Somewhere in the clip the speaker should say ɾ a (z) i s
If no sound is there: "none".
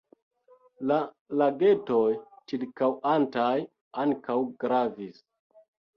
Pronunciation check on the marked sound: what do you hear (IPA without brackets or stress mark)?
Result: v